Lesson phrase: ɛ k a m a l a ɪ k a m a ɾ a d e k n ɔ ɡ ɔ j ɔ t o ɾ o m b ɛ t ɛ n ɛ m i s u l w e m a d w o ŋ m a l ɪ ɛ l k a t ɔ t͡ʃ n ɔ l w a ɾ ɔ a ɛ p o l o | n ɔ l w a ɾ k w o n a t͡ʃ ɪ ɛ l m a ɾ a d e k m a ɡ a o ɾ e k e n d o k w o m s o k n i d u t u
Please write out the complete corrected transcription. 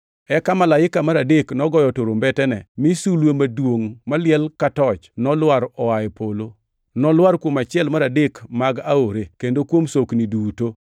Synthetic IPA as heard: ɛ k a m a l a ɪ k a m a ɾ a d e k n ɔ ɡ ɔ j ɔ t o ɾ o m b ɛ t ɛ n ɛ m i s u l w e m a d w o ŋ m a l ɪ ɛ l k a t ɔ t͡ʃ n ɔ l w a ɾ ɔ a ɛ p o l o | n ɔ l w a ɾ k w o m a t͡ʃ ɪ ɛ l m a ɾ a d e k m a ɡ a o ɾ e k e n d o k w o m s o k n i d u t o